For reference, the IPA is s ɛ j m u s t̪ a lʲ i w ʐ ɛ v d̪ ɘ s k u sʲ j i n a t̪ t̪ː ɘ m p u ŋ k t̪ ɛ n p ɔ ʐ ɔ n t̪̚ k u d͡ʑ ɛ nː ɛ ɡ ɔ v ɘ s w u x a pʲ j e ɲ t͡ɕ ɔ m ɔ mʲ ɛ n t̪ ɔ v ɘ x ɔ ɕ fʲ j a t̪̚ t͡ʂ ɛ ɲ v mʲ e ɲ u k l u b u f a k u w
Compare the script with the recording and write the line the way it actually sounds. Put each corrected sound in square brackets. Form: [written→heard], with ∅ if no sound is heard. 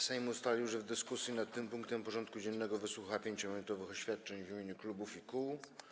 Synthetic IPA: s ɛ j m u s t̪ a lʲ i w ʐ ɛ v d̪ ɘ s k u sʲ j i n a t̪ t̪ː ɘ m p u ŋ k t̪ ɛ [n→m] p ɔ ʐ ɔ n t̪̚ k u d͡ʑ ɛ nː ɛ ɡ ɔ v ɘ s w u x a pʲ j e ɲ t͡ɕ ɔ m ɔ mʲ ɛ n t̪ ɔ v ɘ x ɔ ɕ fʲ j a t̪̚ t͡ʂ ɛ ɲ v mʲ e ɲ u k l u b u f [a→i] k u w